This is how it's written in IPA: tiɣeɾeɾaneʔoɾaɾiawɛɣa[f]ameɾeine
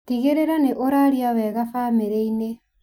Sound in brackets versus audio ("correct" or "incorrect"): correct